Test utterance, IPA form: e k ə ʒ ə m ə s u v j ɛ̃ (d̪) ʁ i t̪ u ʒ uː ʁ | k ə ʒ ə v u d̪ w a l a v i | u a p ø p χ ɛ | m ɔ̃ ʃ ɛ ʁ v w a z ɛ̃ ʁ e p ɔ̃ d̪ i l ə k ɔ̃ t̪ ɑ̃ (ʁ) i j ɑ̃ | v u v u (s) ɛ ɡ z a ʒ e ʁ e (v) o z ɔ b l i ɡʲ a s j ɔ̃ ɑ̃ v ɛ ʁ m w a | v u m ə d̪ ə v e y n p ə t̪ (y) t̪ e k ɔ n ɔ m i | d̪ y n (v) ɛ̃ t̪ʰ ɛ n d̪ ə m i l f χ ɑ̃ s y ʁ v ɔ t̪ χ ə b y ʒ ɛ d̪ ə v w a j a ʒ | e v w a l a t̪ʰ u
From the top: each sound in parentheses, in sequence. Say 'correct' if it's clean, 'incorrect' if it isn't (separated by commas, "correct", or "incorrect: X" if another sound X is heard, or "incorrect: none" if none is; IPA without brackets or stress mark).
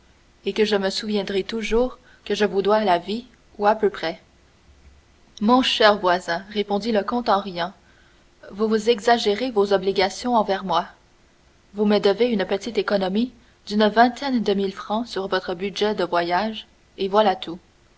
correct, correct, incorrect: z, correct, incorrect: i, correct